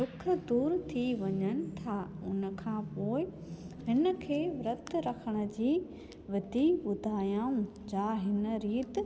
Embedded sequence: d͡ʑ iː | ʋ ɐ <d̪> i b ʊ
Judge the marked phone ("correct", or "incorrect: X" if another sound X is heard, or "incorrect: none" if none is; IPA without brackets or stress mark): correct